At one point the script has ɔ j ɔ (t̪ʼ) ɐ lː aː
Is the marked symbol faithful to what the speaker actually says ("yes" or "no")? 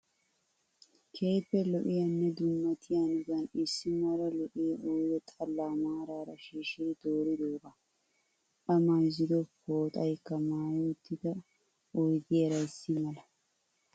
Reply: yes